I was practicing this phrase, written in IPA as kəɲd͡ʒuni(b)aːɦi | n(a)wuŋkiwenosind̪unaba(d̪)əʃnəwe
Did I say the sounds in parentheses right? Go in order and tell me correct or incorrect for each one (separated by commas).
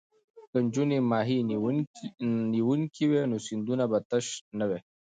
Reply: incorrect, incorrect, incorrect